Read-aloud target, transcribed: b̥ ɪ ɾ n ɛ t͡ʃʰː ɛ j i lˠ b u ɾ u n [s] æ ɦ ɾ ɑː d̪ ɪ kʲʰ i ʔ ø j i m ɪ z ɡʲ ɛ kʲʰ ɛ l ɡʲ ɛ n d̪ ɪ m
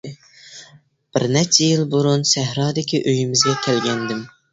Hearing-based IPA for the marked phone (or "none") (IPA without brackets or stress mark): s